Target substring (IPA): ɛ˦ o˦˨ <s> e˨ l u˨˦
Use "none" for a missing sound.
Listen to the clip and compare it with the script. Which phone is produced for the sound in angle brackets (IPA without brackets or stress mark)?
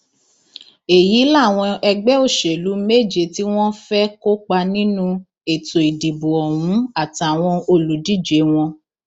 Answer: ʃ